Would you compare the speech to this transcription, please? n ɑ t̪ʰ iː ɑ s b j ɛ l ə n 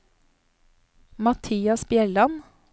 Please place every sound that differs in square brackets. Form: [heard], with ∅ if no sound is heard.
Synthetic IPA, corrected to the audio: [m] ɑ t̪ʰ iː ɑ s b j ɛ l [ɑ] n